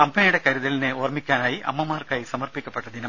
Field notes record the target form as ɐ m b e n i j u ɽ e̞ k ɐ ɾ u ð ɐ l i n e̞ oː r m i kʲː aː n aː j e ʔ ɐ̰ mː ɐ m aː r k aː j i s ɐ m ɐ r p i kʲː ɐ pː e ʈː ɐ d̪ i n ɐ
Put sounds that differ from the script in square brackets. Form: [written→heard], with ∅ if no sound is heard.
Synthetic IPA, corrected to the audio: ɐ m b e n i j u ɽ e̞ k ɐ ɾ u ð ɐ l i n e̞ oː r m i kʲː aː n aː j [e→i] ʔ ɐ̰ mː ɐ m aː r k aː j i s ɐ m ɐ r p i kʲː ɐ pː e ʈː ɐ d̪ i n ɐ